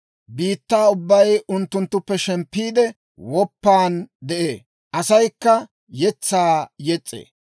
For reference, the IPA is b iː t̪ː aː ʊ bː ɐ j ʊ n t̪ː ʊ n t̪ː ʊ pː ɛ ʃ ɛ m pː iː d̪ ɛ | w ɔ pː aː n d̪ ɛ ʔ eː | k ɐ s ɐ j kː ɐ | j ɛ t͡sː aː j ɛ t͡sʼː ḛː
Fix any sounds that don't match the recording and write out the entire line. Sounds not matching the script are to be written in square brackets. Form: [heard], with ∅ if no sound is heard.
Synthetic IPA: b iː t̪ː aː ʊ bː ɐ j ʊ n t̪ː ʊ n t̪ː ʊ pː ɛ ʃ ɛ m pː iː d̪ ɛ | w ɔ pː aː n d̪ ɛ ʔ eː | [ʔ] ɐ s ɐ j kː ɐ | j ɛ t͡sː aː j ɛ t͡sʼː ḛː